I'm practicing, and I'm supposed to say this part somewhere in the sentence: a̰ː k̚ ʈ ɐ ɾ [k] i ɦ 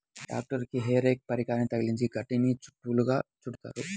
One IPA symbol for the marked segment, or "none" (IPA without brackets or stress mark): k